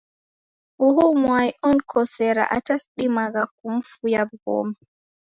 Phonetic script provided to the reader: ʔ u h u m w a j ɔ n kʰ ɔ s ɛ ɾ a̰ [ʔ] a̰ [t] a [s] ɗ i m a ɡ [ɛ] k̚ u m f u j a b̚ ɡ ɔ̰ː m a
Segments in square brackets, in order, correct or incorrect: correct, correct, correct, incorrect

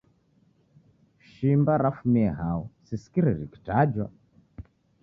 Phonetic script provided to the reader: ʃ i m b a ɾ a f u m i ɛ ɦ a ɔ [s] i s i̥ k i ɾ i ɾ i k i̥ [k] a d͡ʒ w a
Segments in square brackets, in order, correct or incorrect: correct, incorrect

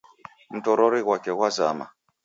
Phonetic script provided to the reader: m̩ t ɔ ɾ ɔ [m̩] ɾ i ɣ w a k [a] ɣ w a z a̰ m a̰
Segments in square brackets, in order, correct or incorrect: incorrect, incorrect

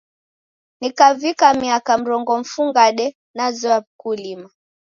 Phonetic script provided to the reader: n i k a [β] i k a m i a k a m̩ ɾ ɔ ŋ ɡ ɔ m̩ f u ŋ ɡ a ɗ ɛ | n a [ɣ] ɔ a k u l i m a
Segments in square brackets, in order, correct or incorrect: incorrect, incorrect

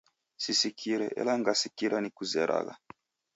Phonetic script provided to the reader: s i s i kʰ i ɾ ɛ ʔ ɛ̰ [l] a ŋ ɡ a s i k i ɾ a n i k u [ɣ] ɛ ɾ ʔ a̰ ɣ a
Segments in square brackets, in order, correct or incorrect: correct, incorrect

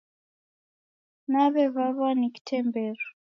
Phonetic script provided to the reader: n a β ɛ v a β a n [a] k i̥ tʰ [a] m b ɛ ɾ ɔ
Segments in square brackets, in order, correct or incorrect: incorrect, incorrect

